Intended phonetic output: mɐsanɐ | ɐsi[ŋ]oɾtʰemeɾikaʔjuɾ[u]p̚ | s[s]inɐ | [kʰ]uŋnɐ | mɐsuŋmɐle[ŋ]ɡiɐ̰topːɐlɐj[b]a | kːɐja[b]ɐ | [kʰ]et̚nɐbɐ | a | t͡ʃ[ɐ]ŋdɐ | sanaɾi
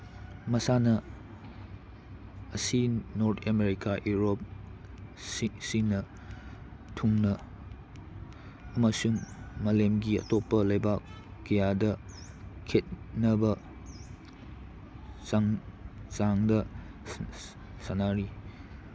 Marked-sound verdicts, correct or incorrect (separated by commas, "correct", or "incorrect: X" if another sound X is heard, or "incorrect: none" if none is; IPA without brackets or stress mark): incorrect: n, incorrect: o, correct, incorrect: tʰ, incorrect: m, correct, incorrect: d, correct, incorrect: a